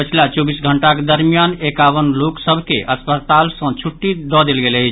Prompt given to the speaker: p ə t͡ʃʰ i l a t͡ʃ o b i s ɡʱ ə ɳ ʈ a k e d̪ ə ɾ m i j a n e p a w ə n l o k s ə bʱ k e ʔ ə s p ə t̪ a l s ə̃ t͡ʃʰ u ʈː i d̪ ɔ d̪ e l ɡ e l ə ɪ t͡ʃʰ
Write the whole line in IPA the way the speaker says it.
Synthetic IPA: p ə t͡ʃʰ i l a t͡ʃ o b i s ɡʱ ə ɳ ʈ a k e d̪ ə ɾ m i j a n e k a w ə n l o k s ə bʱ k e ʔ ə s p ə t̪ a l s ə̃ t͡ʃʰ u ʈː i d̪ ɔ d̪ e l ɡ e l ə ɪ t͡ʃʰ